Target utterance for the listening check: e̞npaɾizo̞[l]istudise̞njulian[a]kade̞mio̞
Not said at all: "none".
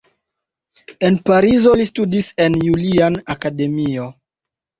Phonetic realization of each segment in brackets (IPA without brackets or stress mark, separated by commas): l, a